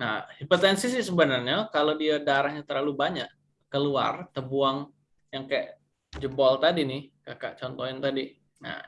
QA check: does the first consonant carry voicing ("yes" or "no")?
yes